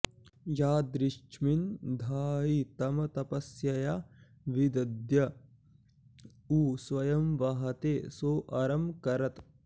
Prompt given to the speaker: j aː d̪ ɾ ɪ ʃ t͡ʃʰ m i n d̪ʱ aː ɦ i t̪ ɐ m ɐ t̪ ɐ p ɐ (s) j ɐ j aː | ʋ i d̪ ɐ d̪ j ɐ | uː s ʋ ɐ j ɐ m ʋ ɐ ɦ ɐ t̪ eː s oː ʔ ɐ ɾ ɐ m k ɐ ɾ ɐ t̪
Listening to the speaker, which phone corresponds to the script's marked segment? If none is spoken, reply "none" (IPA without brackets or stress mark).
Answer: s